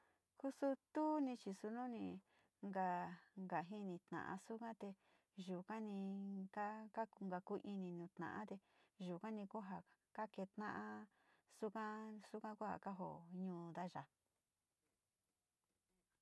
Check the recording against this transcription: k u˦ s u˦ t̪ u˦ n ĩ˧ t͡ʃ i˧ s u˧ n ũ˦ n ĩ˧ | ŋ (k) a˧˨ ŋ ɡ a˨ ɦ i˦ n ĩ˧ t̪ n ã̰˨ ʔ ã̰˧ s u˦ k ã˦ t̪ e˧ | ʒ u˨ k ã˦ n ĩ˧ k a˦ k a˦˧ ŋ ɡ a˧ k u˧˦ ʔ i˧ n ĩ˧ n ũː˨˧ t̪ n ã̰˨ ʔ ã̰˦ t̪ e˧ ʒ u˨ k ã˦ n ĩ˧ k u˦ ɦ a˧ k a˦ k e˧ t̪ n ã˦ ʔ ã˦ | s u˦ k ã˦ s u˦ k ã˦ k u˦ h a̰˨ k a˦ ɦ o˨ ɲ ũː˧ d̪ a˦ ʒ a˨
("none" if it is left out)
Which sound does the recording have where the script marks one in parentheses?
ɡ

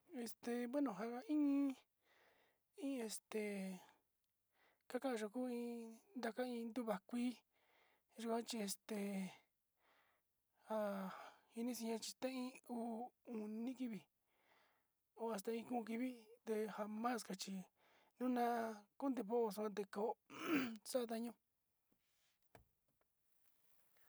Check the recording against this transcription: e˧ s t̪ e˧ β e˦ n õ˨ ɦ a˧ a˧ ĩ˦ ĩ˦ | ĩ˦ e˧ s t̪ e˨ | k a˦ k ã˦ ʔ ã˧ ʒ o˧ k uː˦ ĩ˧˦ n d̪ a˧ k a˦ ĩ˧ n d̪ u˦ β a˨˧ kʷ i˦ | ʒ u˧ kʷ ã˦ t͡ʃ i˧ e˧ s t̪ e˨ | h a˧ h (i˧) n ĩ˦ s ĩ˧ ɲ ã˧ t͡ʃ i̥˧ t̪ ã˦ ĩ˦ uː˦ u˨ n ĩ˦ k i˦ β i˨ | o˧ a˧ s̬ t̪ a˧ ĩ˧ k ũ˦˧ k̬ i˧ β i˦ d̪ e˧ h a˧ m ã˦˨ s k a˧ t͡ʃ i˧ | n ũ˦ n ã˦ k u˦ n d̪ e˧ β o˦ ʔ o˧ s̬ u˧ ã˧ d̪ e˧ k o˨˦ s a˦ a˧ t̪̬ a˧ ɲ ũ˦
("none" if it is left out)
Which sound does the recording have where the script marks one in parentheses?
i˧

